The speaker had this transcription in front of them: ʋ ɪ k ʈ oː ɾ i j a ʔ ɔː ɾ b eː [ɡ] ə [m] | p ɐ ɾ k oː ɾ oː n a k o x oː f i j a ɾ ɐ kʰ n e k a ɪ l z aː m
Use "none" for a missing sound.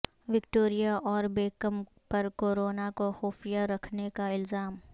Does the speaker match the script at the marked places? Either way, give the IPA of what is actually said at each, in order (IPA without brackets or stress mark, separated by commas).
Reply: k, m